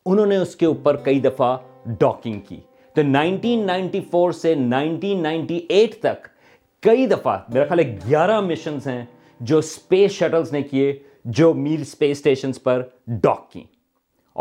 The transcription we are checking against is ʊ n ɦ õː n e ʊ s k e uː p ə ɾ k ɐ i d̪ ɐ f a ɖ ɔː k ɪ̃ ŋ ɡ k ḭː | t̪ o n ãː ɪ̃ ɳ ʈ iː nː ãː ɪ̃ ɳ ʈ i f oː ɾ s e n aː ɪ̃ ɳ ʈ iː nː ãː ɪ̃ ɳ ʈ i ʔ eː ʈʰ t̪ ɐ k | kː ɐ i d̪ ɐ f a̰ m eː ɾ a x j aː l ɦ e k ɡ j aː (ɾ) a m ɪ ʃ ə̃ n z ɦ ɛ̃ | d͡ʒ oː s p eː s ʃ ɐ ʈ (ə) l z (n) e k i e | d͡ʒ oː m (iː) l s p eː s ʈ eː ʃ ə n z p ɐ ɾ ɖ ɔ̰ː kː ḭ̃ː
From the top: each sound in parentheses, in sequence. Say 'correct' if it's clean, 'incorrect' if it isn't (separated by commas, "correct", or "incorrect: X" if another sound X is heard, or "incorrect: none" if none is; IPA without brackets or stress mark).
correct, correct, correct, correct